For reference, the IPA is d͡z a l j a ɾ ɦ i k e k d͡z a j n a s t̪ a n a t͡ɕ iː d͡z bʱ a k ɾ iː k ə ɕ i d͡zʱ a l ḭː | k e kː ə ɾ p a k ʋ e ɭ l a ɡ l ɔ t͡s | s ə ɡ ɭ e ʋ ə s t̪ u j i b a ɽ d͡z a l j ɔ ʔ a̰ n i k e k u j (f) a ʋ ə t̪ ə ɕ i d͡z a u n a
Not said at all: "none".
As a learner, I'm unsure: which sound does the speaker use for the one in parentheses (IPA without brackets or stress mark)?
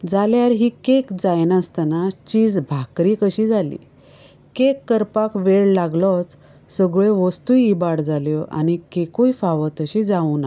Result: f